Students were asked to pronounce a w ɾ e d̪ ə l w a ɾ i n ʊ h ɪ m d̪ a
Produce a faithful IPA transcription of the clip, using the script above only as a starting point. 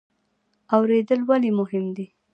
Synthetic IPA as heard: a w ɾ e d̪ ə l w a l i m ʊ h ɪ m d̪ i